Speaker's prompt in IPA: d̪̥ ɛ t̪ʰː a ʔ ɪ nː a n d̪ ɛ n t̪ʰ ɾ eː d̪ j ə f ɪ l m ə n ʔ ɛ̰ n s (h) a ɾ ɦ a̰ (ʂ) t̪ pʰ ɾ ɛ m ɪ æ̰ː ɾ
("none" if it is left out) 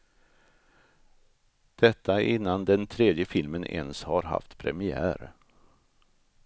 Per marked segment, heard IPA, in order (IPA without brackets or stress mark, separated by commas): h, f